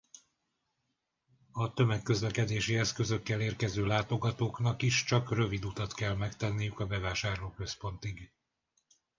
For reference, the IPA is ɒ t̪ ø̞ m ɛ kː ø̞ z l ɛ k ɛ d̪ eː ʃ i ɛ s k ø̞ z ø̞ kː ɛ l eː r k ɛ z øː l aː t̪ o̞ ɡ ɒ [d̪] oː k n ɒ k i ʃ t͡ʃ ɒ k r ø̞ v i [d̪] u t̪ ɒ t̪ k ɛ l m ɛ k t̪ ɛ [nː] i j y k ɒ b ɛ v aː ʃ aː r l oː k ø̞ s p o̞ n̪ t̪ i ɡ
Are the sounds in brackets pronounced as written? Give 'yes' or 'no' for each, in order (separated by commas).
no, yes, yes